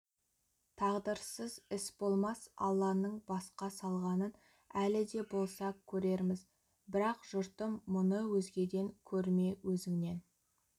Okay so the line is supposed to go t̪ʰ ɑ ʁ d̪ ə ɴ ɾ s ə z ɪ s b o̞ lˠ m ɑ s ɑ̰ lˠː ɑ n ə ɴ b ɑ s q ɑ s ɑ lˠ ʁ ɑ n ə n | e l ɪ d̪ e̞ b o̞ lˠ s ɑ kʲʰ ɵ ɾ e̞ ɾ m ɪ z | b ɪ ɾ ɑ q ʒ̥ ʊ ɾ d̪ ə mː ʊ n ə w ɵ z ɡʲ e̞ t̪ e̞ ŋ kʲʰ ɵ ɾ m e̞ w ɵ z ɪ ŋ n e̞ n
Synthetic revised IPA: t̪ʰ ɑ ʁ d̪ ə ɾ s ə z ɪ s b o̞ lˠ m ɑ s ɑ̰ lˠː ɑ n ə ɴ b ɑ s q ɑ s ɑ lˠ ʁ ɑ n ə n | æ l ɪ d̪ e̞ b o̞ lˠ s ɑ kʲʰ ɵ ɾ e̞ ɾ m ɪ z | b ɪ ɾ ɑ q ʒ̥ ʊ ɾ t̪ ə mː ʊ n ə w ɵ z ɡʲ e̞ d̪ e̞ ŋ kʲʰ ɵ ɾ m e̞ w ɵ z ɪ ŋ n e̞ n